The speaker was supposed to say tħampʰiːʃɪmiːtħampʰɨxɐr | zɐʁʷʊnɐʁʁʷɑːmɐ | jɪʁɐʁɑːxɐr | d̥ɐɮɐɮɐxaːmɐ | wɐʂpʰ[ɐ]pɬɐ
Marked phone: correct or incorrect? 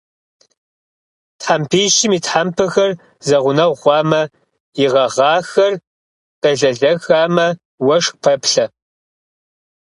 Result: correct